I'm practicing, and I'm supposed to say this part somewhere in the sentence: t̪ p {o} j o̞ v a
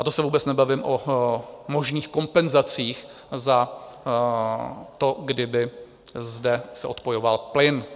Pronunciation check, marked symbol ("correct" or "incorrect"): correct